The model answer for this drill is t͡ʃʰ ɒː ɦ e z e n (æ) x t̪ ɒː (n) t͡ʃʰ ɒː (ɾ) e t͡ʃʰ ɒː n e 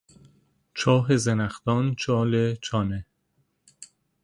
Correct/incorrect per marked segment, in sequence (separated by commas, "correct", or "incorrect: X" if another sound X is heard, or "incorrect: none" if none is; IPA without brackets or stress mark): correct, correct, incorrect: l